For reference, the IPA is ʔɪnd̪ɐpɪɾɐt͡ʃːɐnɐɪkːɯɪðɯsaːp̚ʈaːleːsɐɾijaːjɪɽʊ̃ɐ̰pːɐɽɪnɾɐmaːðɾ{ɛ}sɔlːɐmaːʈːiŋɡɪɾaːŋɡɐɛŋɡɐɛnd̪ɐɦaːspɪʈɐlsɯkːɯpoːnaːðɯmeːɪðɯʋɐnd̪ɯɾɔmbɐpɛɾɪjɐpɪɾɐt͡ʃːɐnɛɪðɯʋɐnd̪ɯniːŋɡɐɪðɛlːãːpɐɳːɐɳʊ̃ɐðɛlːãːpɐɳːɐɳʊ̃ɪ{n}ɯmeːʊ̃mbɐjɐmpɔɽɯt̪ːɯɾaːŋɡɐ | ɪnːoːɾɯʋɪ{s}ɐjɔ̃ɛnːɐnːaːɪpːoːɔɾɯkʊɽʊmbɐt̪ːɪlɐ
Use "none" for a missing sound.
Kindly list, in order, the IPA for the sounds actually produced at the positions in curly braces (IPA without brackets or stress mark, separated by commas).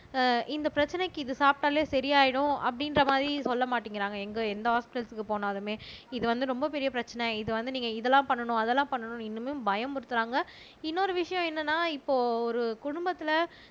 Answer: i, nː, ʂ